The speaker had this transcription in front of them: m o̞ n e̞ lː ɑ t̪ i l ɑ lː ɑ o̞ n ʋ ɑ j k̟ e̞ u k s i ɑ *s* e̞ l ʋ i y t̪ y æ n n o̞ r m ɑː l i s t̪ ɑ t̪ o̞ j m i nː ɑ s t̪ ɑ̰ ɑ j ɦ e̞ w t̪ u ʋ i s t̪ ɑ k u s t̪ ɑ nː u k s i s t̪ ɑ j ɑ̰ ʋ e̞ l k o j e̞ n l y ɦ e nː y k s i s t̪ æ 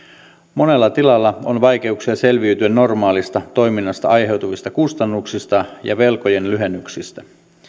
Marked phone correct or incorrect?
correct